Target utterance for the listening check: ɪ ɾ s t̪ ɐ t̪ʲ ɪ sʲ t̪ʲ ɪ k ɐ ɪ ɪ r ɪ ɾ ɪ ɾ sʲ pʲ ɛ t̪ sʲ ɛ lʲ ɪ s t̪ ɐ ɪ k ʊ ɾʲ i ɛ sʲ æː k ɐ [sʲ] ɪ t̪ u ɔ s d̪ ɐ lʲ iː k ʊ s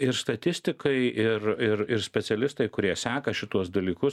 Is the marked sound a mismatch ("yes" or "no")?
yes